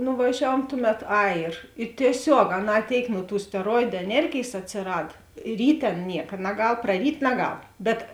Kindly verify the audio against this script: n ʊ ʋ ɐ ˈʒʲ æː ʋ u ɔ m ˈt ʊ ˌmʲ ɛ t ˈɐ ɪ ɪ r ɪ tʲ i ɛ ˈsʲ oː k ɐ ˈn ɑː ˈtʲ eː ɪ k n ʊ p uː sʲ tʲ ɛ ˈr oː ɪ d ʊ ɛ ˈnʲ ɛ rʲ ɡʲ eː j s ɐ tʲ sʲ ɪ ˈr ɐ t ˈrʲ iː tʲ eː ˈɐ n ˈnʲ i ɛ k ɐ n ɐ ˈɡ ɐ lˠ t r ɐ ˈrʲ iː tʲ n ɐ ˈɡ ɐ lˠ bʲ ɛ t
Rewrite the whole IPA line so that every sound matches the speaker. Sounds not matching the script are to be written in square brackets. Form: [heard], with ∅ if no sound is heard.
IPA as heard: n ʊ ʋ ɐ ˈʒʲ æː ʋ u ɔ m ˈt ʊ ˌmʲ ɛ t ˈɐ ɪ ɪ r ɪ tʲ i ɛ ˈsʲ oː k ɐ ˈn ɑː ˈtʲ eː ɪ k n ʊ [t] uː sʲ tʲ ɛ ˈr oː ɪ d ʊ ɛ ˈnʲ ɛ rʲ ɡʲ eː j s ɐ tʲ sʲ ɪ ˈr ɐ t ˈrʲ iː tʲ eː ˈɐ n ˈnʲ i ɛ k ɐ n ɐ ˈɡ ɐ lˠ [p] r ɐ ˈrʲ iː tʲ n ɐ ˈɡ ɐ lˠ bʲ ɛ t